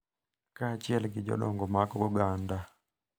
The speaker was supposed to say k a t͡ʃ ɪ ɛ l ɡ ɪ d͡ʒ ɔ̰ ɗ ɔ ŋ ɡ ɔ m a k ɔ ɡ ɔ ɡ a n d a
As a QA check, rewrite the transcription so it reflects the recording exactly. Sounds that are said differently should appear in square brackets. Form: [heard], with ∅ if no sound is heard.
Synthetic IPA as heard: k a t͡ʃ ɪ ɛ l ɡ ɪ d͡ʒ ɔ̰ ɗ ɔ ŋ ɡ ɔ m a k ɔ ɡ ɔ ɡ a n d a